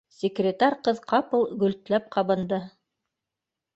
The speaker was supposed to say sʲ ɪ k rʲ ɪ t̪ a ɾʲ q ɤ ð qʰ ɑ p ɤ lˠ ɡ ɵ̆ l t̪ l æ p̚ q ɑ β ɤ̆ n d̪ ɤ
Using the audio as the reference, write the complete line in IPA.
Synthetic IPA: sʲ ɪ k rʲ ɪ t̪ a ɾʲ q ɤ ð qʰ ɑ p ɤ lˠ ɡ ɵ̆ l t̪ l æ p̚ q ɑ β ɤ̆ n d̪ ɤ